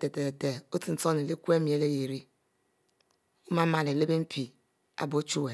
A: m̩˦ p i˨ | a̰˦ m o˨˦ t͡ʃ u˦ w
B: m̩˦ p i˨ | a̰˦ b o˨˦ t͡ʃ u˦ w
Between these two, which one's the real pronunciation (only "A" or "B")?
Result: B